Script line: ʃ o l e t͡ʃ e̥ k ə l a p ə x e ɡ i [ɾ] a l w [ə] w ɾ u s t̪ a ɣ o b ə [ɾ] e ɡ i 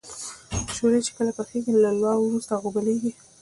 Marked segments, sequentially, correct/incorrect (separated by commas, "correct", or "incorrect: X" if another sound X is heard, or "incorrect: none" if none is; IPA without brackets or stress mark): incorrect: l, incorrect: ɑ, incorrect: l